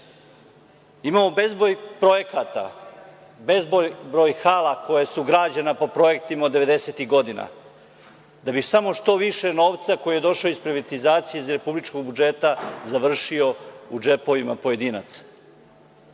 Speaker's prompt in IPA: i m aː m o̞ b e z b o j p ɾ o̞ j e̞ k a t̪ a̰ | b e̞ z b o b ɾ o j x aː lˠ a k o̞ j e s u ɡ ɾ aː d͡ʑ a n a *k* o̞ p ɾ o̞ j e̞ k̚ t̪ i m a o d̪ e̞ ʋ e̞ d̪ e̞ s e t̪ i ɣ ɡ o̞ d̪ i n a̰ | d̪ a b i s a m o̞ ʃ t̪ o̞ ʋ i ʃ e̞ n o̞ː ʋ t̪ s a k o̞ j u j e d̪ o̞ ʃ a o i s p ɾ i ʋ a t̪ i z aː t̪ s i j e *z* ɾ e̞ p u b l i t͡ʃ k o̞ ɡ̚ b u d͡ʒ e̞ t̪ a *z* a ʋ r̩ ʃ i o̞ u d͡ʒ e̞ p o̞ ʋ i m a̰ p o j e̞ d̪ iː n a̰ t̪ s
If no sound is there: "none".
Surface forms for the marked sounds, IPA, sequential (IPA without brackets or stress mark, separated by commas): p, z, z